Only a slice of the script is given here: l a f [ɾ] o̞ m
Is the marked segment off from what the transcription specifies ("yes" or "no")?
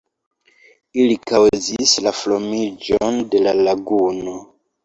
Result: yes